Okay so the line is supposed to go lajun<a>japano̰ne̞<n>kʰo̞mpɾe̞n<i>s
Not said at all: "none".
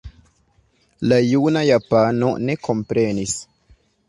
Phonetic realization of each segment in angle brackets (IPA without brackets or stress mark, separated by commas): a, none, i